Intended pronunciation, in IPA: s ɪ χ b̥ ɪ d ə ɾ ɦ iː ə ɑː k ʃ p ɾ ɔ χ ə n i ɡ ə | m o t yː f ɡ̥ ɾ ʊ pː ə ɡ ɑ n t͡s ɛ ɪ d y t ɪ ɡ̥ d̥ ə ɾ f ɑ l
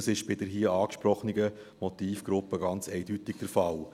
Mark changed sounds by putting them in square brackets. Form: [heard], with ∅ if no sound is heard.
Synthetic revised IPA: s ɪ [ʃ] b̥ ɪ d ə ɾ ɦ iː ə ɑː k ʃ p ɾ ɔ χ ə n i ɡ ə | m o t [iː] f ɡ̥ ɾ ʊ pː ə ɡ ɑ n t͡s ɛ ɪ d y t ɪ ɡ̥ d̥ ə ɾ f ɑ l